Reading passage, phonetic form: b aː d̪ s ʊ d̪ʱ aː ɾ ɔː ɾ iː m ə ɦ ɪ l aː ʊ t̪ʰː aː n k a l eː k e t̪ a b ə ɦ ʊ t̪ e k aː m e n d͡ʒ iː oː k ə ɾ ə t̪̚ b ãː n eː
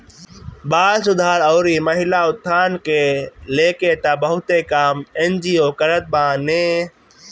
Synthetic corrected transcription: b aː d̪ s ʊ d̪ʱ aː ɾ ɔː ɾ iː m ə ɦ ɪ l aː ʊ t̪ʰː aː n k e l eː k e t̪ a b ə ɦ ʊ t̪ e k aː m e n d͡ʒ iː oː k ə ɾ ə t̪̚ b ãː n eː